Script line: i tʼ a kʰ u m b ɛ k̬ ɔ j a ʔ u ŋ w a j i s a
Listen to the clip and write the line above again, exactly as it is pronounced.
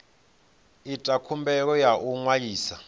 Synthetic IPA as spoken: i tʼ a kʰ u m b ɛ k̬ ɔ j a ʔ u ŋ w a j iː s a